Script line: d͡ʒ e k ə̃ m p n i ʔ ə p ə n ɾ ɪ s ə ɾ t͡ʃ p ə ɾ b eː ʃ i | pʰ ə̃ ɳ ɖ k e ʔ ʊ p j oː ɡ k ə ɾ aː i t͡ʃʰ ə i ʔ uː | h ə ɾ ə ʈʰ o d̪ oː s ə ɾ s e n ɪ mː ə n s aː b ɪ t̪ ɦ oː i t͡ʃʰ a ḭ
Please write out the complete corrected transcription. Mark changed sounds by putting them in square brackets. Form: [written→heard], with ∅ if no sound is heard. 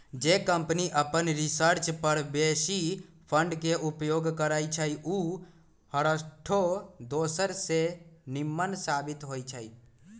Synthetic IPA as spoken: d͡ʒ e k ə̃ m p n i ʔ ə p ə n ɾ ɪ s ə ɾ t͡ʃ p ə ɾ b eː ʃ i | pʰ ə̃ ɳ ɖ k e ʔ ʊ p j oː ɡ k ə ɾ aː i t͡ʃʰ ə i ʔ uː | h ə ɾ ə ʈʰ o d̪ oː s ə ɾ s e n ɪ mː ə n s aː b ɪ t̪ ɦ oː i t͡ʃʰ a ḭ